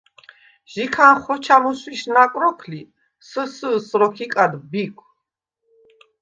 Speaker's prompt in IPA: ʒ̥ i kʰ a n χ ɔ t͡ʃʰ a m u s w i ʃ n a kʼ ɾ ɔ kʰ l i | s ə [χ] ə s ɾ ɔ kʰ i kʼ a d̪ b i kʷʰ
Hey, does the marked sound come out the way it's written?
no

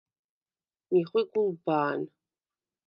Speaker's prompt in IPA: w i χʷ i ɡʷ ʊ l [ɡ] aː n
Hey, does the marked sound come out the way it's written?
no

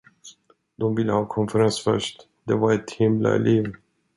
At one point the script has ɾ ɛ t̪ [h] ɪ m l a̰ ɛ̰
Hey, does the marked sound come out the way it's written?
yes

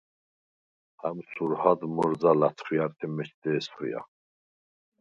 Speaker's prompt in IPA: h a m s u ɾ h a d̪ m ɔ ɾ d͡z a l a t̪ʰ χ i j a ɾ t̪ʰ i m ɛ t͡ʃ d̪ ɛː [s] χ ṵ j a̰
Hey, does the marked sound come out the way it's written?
yes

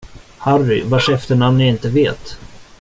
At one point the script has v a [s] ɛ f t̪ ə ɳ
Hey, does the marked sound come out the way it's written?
no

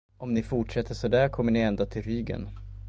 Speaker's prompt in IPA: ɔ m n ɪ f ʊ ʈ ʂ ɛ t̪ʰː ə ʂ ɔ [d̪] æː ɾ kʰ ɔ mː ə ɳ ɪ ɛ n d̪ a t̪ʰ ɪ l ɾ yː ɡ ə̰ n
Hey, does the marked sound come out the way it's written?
yes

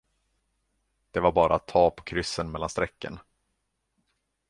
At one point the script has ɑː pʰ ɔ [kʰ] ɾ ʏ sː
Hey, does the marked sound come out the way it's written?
yes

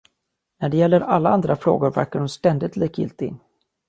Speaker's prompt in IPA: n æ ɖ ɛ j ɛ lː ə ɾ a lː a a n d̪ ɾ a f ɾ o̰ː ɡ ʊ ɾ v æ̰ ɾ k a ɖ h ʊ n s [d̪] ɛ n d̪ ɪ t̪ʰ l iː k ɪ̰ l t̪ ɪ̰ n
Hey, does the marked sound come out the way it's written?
no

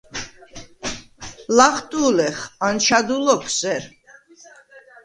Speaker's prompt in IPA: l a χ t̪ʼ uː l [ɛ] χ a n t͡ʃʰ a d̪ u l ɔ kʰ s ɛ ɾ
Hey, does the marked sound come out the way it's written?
yes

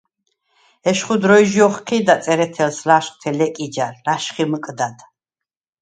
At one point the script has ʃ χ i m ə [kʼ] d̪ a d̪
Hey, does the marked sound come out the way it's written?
yes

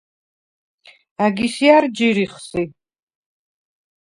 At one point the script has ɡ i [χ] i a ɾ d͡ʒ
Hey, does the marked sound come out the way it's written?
no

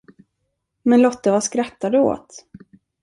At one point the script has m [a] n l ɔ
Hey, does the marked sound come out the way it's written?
no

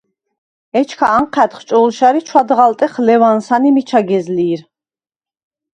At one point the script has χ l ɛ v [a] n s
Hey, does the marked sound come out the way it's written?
yes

